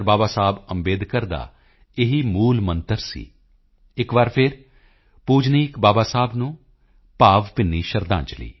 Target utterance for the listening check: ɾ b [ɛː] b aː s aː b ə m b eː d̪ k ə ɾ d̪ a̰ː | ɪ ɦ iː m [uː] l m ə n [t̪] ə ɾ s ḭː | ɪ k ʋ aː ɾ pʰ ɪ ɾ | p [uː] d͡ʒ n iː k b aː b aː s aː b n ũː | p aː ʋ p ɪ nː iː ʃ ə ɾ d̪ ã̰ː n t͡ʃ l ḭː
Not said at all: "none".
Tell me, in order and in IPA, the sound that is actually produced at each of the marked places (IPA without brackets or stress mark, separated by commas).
aː, uː, t̪, uː